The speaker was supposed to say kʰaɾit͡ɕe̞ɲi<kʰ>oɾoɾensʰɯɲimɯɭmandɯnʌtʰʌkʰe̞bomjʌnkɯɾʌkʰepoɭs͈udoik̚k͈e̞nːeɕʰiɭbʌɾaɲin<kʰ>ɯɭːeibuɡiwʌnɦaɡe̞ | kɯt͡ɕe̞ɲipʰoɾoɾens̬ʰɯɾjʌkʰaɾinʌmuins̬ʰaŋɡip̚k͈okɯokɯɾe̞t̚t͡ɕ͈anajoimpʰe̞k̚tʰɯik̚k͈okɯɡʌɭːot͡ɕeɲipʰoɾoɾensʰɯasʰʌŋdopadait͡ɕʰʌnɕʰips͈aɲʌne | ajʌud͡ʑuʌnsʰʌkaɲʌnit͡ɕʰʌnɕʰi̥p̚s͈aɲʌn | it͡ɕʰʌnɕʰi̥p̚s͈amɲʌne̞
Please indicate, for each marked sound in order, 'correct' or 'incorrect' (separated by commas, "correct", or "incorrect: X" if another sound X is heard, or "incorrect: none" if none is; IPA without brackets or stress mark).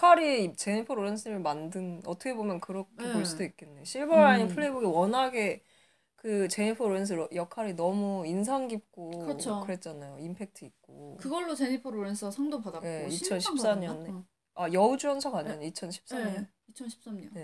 incorrect: pʰ, incorrect: pʰ